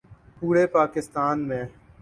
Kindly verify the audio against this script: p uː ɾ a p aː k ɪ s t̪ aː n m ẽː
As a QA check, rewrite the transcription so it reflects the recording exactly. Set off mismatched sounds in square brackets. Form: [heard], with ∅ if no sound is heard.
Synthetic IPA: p uː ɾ [e] p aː k ɪ s t̪ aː n m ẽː